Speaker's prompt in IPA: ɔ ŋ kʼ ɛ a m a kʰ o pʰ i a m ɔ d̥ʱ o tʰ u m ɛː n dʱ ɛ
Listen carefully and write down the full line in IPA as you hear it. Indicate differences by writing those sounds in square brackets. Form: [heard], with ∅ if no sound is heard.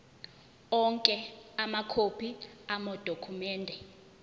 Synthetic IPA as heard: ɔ ŋ kʼ ɛ a m a kʰ o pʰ i a m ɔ d̥ʱ o [kʰ] u m ɛː n dʱ ɛ